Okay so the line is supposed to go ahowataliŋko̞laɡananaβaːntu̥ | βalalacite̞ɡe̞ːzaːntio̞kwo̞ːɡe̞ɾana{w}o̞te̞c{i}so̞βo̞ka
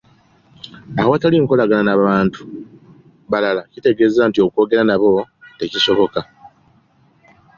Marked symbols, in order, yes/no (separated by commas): no, yes